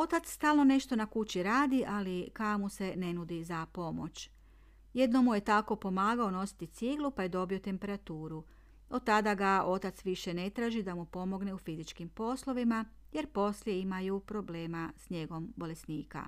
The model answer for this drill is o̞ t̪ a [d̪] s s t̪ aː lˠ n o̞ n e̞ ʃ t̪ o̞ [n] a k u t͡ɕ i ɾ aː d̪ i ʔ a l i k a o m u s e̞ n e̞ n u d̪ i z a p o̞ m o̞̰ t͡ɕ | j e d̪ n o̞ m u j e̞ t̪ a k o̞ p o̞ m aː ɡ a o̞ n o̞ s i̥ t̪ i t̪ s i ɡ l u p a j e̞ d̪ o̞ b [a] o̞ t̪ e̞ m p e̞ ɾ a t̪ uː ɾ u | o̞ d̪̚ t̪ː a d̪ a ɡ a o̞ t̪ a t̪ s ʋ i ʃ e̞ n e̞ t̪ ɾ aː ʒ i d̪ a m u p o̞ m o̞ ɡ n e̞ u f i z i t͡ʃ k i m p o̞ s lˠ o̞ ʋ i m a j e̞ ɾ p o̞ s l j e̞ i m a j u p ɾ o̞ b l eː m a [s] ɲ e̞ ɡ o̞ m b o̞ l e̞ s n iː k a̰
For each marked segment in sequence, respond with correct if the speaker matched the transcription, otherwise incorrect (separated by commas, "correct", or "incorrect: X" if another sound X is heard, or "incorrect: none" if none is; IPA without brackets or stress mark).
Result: incorrect: t̪, correct, incorrect: i, correct